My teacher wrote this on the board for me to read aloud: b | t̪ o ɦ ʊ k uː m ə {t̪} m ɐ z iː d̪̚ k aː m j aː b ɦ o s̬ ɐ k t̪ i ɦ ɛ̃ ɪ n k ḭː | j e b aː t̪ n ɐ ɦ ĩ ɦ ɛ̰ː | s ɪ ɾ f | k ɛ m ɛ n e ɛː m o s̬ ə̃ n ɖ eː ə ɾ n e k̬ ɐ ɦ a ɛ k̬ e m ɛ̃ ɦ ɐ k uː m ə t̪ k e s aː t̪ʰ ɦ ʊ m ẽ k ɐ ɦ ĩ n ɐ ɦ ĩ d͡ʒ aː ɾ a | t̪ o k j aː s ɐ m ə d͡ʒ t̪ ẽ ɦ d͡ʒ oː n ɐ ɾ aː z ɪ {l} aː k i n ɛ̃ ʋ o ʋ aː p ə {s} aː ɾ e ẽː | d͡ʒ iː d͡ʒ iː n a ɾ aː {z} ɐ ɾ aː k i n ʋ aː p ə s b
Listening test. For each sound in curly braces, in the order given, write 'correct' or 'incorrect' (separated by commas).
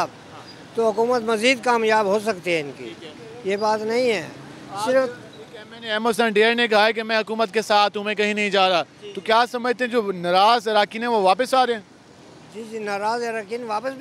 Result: correct, incorrect, correct, correct